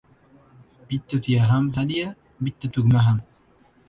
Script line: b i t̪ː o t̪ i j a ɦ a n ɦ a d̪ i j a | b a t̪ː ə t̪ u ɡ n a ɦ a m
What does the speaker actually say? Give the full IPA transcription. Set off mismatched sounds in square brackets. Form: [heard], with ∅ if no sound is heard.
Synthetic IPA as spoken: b i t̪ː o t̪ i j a ɦ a [m] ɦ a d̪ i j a | b [i] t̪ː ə t̪ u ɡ [m] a ɦ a m